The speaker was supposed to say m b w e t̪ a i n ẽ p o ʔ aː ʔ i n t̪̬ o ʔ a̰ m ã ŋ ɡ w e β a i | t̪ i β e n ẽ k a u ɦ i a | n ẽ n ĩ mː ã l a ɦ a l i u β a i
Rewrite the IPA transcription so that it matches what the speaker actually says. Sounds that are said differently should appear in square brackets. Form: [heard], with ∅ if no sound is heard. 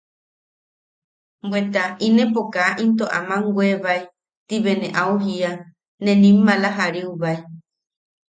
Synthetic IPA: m b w e t̪ a i n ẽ p o [k] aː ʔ i n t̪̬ o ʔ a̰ m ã ŋ ɡ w e β a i | t̪ i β e n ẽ [ʔ] a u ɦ i a | n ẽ n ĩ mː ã l a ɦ a [ɾ] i u β a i